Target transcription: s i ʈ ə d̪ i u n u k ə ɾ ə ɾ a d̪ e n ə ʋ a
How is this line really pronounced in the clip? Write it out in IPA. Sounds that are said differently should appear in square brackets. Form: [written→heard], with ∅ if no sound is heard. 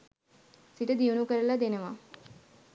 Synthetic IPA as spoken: s i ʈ ə d̪ i u n u k ə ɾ ə [ɾ→l] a d̪ e n ə ʋ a